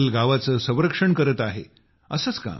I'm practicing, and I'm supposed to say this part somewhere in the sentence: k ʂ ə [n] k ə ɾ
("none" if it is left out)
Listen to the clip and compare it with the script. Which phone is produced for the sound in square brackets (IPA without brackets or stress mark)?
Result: ɳ